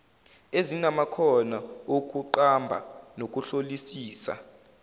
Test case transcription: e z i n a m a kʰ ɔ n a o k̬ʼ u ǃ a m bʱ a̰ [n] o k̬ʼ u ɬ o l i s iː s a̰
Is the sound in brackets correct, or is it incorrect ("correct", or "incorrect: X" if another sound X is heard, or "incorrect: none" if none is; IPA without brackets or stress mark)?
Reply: correct